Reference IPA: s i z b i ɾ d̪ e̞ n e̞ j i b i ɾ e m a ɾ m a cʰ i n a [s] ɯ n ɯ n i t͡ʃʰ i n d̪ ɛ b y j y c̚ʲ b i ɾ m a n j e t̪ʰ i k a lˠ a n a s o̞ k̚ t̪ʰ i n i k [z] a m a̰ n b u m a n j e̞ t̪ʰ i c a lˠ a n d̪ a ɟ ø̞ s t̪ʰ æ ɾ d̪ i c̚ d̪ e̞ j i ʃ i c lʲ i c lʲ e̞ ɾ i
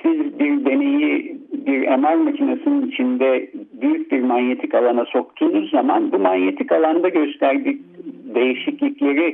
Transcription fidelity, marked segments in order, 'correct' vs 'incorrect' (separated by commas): correct, correct